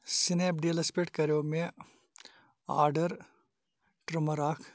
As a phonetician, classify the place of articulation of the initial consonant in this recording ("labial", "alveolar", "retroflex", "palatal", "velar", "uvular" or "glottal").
alveolar